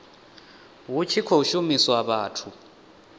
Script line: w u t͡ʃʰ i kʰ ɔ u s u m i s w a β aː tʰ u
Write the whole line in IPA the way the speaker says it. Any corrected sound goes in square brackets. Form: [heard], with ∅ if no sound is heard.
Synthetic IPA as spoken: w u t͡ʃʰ i kʰ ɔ u [ʃ] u m i s w a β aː tʰ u